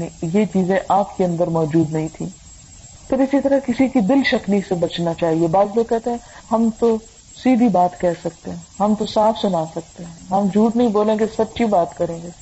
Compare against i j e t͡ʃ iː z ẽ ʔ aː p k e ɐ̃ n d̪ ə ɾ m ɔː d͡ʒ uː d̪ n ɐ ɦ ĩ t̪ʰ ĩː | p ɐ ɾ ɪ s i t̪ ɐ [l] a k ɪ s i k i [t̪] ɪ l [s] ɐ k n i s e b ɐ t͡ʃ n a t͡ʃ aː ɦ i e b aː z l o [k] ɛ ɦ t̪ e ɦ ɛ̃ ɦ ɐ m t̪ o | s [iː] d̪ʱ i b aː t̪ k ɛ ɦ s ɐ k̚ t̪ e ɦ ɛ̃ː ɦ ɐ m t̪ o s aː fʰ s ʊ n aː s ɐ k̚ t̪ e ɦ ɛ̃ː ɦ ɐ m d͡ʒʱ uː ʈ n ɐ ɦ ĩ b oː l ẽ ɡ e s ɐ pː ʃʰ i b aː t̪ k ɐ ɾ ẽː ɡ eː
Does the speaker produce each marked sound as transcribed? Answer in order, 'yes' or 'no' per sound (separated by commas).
no, no, no, yes, yes